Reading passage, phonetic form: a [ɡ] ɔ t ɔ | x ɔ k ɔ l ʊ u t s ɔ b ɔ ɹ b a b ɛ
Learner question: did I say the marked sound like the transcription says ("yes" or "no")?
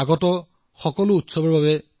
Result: yes